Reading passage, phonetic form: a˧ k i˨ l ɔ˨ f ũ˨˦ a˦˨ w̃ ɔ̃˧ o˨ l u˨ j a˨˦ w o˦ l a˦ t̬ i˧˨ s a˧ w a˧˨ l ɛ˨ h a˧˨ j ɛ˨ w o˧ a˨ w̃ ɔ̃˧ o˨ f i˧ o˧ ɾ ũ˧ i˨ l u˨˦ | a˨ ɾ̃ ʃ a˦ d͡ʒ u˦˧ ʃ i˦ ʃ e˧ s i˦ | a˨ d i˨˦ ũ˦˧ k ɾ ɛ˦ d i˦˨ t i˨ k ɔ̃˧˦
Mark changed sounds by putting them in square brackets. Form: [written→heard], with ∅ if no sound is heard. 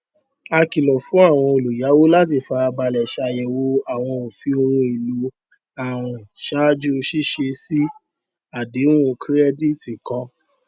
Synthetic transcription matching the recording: a˧ k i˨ l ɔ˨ f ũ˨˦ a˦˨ w̃ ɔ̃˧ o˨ l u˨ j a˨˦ w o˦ l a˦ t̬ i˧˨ [s→f] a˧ [w→b] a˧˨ l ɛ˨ [h→ʃ] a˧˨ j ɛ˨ w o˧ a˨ w̃ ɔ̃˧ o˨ f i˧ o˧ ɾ ũ˧ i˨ l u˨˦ | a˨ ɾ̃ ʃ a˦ d͡ʒ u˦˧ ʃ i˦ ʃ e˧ s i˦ | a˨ d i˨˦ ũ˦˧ k ɾ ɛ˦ d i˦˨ t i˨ k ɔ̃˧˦